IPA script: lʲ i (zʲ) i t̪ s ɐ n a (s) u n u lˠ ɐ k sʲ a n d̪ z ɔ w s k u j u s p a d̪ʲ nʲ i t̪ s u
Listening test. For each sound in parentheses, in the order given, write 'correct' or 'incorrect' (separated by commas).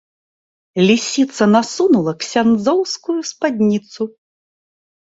incorrect, correct